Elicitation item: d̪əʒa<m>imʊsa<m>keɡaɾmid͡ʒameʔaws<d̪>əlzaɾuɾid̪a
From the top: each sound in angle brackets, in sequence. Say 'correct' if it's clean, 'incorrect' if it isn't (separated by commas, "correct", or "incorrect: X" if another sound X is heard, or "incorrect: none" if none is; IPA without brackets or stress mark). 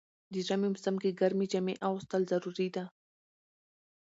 correct, correct, incorrect: t̪